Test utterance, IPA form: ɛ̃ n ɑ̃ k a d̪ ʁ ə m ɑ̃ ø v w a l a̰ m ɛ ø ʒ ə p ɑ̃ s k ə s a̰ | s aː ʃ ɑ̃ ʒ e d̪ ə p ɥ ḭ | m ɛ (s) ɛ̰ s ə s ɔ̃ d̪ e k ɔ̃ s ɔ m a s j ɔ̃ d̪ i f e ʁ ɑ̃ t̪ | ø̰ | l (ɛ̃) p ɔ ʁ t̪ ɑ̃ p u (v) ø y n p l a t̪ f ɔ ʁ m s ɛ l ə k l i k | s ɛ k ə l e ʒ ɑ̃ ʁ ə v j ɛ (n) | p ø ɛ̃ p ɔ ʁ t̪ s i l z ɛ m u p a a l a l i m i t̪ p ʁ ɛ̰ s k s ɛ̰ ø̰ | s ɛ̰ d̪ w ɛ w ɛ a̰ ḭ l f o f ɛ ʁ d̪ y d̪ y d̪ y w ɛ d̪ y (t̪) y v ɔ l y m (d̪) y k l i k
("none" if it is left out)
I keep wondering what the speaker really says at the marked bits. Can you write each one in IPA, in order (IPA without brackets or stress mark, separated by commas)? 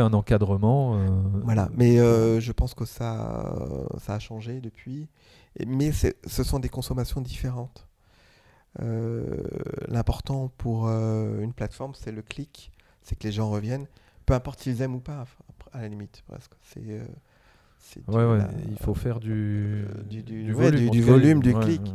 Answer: s, ɛ̃, ʁ, n, d̪, d̪